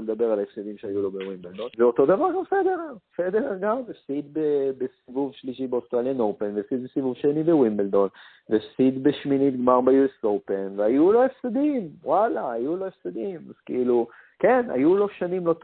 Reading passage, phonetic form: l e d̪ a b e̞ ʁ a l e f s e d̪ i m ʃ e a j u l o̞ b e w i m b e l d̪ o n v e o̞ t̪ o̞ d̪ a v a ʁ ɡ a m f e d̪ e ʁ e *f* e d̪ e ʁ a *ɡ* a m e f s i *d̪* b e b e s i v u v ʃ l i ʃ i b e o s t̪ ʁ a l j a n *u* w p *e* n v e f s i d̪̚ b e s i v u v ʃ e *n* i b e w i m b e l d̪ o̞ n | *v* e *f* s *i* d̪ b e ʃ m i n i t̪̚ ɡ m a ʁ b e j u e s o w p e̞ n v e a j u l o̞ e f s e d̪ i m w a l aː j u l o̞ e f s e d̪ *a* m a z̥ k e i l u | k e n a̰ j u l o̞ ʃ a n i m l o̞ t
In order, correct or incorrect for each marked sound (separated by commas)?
correct, correct, correct, incorrect, correct, correct, correct, correct, correct, incorrect